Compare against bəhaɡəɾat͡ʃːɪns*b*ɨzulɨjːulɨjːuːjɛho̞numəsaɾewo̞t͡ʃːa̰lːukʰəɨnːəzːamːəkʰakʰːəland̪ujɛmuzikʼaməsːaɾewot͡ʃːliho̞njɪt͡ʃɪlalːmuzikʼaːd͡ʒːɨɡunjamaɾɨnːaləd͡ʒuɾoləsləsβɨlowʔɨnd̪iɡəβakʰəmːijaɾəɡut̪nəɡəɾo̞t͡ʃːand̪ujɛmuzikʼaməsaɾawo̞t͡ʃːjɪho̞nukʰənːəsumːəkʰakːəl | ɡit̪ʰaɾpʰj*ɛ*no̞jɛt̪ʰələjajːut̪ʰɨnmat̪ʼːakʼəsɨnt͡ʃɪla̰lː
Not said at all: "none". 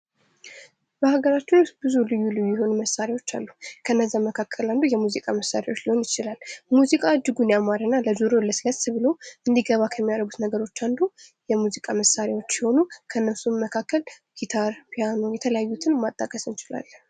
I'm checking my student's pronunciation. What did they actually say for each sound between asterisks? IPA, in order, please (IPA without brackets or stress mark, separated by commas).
b, a